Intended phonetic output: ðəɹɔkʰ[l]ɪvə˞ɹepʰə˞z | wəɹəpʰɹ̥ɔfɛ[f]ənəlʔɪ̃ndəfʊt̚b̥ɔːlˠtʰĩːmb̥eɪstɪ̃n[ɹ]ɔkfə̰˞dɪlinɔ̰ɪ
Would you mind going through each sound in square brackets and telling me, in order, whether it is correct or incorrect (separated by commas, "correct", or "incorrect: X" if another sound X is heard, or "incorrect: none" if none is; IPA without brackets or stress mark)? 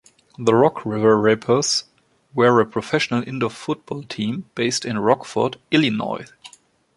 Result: incorrect: ɹ, incorrect: ʃ, correct